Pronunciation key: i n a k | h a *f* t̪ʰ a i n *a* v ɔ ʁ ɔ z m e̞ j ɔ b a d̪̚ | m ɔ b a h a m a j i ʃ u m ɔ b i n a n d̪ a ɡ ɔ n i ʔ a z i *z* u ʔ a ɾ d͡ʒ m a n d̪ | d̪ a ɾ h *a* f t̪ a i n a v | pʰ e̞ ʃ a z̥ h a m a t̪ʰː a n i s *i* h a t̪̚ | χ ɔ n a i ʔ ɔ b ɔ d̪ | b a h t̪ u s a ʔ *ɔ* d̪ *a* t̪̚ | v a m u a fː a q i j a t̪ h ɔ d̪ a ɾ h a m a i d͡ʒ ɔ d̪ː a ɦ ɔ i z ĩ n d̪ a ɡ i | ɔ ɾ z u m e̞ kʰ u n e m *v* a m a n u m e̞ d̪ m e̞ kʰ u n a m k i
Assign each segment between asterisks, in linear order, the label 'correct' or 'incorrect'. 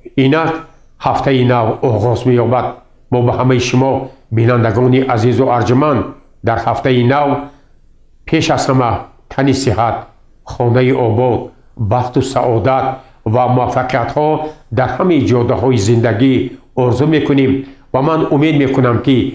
correct, correct, correct, correct, correct, correct, correct, correct

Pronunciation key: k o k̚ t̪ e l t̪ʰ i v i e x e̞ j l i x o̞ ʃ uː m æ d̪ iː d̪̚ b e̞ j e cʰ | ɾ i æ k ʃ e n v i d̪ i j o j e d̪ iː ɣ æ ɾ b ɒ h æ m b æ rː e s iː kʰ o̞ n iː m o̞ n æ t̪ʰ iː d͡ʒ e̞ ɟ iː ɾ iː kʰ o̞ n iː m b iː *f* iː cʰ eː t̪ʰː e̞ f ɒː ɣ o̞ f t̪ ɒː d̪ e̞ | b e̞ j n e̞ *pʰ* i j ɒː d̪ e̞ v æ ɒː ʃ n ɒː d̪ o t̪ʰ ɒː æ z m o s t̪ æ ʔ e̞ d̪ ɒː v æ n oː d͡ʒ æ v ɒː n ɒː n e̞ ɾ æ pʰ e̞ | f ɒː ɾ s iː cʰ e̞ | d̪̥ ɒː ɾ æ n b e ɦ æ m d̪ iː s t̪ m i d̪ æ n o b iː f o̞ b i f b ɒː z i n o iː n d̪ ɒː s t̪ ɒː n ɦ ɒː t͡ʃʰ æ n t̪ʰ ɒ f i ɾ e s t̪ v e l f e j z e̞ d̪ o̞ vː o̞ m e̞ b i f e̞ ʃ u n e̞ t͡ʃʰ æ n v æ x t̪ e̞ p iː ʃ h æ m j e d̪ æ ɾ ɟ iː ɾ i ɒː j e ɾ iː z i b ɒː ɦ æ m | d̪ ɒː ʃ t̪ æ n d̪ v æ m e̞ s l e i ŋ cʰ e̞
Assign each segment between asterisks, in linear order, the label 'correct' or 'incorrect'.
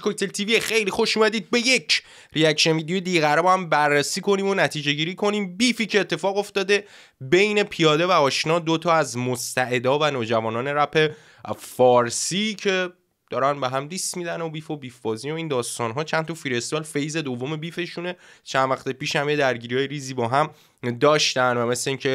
correct, correct

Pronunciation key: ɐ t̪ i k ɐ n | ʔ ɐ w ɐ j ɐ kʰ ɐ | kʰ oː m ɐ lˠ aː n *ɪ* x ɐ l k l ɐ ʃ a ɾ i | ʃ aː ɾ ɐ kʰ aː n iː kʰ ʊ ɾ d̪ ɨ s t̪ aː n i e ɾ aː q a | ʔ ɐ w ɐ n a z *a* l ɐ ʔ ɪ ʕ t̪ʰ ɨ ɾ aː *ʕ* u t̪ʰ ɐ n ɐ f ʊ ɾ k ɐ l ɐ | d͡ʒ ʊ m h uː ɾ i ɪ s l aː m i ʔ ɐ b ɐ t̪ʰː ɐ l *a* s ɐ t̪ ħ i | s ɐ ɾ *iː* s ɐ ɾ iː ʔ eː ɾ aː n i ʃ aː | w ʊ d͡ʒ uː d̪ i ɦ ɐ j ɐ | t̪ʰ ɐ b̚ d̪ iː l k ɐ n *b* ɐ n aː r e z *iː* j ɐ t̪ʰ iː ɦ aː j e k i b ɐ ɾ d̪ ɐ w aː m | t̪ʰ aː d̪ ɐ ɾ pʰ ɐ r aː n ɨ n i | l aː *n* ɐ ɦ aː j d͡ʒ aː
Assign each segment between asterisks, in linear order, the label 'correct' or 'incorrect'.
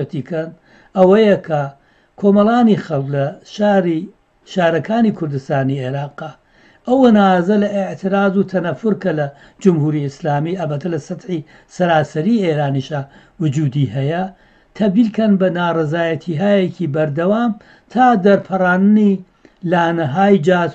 incorrect, incorrect, incorrect, incorrect, incorrect, correct, incorrect, correct

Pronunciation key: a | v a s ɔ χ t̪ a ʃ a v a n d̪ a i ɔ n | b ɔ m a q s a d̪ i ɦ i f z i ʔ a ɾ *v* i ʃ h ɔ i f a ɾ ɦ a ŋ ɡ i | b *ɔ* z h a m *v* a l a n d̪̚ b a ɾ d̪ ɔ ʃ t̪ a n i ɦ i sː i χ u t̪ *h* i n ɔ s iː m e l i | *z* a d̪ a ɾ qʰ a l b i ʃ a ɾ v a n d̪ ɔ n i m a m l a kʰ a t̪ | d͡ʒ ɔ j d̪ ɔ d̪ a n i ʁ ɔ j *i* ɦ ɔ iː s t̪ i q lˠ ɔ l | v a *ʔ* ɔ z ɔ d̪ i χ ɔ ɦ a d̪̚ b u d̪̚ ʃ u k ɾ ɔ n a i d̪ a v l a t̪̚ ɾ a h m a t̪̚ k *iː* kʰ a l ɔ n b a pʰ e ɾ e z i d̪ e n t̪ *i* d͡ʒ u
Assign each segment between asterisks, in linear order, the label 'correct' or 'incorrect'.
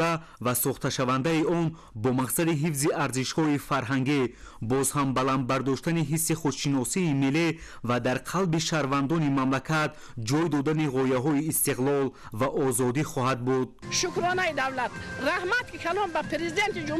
incorrect, correct, incorrect, incorrect, incorrect, incorrect, correct, incorrect, correct

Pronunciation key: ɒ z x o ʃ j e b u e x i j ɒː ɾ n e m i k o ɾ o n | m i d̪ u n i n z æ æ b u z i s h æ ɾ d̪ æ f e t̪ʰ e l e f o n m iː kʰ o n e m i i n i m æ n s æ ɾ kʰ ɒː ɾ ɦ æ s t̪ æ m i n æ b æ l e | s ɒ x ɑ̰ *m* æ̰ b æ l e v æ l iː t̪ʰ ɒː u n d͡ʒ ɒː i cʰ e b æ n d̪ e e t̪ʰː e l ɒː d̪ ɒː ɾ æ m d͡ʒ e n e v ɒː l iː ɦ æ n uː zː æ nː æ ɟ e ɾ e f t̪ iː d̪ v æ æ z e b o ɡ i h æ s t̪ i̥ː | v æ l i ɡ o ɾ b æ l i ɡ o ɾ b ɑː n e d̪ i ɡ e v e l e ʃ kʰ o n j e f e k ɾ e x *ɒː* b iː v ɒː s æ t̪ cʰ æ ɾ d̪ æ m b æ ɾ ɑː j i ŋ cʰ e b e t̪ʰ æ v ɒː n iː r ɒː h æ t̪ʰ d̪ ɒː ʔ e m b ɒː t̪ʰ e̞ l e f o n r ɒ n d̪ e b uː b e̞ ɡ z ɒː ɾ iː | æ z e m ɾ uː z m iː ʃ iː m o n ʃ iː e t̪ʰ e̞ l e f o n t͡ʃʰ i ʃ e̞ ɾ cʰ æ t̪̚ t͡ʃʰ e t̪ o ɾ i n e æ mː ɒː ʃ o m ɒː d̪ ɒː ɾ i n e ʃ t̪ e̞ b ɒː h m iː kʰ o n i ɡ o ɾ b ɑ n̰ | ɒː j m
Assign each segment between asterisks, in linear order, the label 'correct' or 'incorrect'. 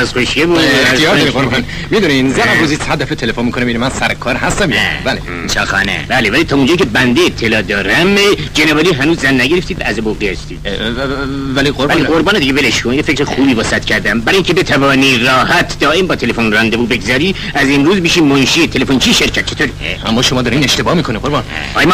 incorrect, incorrect

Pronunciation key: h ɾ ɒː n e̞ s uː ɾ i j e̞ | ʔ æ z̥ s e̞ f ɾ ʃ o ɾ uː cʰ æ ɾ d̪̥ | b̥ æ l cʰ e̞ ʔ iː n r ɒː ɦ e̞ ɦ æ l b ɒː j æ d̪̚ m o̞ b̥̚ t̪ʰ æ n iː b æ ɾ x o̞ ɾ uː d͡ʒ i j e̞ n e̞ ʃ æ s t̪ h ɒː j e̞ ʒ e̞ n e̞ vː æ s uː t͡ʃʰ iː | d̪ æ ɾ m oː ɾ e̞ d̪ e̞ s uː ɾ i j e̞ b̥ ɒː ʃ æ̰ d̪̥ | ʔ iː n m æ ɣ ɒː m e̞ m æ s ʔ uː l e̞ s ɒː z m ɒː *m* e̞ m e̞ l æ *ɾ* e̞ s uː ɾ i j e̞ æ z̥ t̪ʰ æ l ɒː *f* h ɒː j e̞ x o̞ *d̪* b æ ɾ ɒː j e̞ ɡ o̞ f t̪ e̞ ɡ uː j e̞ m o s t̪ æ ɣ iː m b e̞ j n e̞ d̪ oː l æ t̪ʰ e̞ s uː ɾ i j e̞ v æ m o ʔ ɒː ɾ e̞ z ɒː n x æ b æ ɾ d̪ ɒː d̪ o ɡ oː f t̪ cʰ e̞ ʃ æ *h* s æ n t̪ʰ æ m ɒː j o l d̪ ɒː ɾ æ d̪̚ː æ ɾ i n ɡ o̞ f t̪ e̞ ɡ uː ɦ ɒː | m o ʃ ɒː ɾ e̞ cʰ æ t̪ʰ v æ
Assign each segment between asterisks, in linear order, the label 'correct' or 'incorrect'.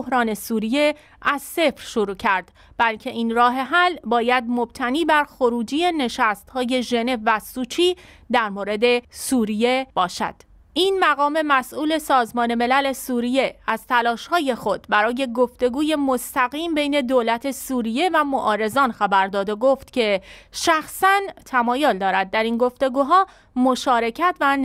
incorrect, incorrect, incorrect, correct, incorrect

